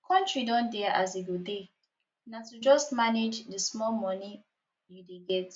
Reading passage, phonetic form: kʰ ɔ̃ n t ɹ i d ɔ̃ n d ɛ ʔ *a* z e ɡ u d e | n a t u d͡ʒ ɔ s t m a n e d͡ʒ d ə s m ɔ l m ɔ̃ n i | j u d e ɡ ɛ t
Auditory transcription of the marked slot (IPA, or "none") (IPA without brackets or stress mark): a